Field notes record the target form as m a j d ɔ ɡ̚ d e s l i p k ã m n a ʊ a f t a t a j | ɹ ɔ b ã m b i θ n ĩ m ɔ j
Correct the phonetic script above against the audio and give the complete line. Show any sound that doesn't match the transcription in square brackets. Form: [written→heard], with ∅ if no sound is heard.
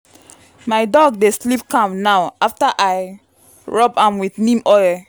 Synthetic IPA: m a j d ɔ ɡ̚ d e s l i p k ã m n a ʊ a f t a [t→ʔ] a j | ɹ ɔ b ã m [b→w] i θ n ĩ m ɔ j